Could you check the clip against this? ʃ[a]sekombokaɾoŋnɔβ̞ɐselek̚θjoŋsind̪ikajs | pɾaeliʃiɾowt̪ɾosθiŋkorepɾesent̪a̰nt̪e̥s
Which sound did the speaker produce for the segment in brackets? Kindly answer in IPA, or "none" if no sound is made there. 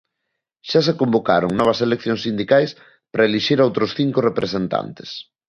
a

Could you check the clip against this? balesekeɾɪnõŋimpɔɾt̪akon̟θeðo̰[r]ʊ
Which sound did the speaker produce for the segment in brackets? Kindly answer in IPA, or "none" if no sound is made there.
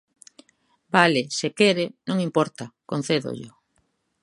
ʎ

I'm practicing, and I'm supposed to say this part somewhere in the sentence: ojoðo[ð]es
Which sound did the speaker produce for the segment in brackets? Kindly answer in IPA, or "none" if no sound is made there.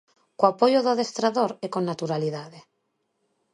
ð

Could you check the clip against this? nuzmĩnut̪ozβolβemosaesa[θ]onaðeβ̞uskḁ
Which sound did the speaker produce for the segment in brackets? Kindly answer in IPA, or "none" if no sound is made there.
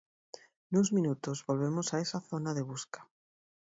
θ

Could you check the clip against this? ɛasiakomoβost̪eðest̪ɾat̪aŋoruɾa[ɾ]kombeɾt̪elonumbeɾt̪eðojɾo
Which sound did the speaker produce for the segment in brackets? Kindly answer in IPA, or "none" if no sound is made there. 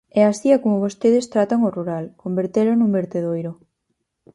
l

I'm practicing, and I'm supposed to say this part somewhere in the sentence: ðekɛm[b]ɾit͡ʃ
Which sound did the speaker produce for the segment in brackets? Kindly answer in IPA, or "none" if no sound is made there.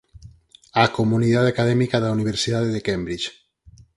b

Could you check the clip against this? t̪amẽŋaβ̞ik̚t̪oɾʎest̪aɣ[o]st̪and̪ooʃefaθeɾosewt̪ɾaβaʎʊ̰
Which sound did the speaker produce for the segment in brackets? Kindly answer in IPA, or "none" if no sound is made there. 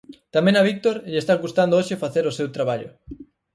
u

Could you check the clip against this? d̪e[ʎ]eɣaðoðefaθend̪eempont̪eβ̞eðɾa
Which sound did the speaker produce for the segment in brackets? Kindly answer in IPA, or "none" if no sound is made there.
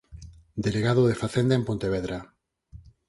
l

